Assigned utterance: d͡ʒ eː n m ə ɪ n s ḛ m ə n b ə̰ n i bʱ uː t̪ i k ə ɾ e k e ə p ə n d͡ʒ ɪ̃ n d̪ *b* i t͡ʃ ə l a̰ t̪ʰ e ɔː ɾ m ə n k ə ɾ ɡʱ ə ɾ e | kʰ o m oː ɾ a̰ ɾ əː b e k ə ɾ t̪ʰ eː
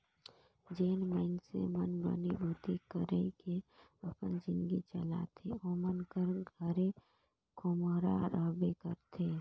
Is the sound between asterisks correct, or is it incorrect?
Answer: incorrect